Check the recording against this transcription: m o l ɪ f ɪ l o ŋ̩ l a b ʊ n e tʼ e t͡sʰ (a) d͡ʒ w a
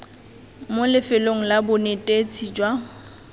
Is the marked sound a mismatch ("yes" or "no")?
yes